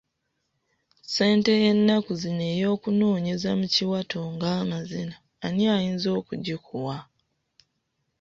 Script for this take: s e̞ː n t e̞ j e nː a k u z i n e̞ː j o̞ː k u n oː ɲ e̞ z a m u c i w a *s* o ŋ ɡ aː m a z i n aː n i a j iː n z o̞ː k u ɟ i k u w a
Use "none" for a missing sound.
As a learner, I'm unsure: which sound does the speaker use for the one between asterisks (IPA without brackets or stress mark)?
t